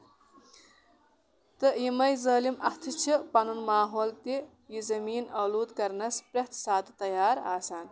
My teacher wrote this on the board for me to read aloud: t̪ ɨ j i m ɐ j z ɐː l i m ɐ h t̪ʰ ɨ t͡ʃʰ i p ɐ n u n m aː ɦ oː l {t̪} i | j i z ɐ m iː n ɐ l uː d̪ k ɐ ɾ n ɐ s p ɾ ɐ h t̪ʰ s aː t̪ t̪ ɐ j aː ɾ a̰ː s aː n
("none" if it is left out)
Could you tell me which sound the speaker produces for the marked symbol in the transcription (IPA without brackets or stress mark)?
t̪